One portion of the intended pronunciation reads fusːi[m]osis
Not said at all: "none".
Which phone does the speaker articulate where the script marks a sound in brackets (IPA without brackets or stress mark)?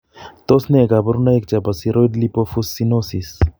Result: n